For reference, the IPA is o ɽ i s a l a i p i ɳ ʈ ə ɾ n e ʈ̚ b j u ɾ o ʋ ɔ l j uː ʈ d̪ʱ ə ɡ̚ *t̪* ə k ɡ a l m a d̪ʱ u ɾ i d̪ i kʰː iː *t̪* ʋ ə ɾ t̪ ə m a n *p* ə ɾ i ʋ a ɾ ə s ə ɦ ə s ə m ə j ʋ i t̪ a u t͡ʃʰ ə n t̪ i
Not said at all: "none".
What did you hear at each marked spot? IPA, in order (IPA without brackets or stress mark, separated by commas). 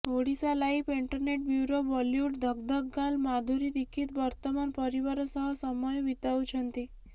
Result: d̪, t̪, p